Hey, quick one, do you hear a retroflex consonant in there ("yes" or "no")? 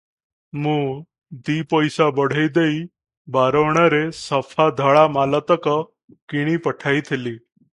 yes